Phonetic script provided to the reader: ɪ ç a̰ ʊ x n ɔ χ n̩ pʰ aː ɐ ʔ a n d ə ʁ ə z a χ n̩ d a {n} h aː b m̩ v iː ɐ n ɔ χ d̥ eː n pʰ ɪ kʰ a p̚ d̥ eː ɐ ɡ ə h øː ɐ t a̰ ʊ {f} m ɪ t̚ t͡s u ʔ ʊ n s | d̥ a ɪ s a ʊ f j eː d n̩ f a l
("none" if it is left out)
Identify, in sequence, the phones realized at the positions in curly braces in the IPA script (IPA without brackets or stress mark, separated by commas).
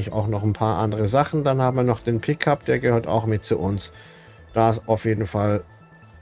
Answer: n, x